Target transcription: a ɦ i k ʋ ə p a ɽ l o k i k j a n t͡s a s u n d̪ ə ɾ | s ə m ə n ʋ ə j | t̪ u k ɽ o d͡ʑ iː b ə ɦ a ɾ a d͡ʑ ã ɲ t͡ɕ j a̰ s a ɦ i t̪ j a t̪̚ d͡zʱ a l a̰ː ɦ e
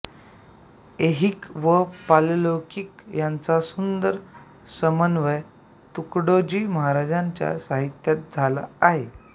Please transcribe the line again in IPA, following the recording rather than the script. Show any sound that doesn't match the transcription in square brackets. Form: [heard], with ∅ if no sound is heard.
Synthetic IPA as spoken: [e] ɦ i k ʋ ə p a [l] l o k i k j a n t͡s a s u n d̪ ə ɾ | s ə m ə n ʋ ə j | t̪ u k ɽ o d͡ʑ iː [m] ə ɦ a ɾ a d͡ʑ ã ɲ t͡ɕ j a̰ s a ɦ i t̪ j a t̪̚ d͡zʱ a l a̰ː ɦ e